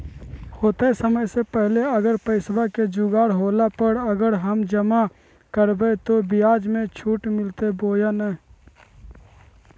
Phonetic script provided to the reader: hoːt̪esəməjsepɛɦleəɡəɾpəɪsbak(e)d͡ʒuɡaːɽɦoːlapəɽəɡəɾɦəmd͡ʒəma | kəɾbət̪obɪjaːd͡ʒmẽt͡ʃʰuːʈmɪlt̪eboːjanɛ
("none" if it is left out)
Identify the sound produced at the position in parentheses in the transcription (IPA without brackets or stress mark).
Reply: e